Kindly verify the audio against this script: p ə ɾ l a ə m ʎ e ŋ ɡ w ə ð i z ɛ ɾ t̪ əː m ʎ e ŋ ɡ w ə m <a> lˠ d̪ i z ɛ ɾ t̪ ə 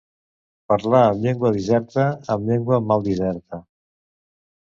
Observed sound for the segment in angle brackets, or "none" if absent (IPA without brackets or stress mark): a